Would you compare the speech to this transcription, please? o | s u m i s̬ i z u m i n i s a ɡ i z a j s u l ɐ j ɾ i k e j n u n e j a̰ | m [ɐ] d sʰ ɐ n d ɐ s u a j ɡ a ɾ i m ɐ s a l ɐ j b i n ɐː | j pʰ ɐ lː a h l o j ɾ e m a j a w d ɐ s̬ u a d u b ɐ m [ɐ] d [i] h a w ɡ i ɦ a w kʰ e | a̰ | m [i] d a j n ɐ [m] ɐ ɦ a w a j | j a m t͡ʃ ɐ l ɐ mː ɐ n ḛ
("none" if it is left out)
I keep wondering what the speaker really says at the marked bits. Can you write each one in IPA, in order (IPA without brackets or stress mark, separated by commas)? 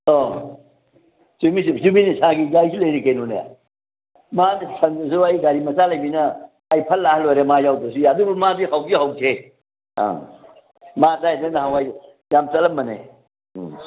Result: a, a, i, a, n